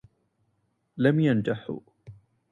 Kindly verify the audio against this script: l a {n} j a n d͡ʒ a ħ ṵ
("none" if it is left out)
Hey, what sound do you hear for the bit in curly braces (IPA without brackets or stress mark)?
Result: m